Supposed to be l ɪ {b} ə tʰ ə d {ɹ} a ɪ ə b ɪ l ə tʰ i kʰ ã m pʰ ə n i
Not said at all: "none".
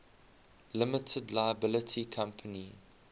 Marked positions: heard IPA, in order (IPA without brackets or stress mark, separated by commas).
m, l